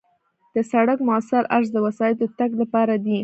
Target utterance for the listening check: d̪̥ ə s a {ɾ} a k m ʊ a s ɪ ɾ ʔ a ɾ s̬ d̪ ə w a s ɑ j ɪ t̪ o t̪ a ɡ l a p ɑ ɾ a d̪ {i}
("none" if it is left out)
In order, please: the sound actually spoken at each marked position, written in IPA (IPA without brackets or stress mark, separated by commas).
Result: ɽ, i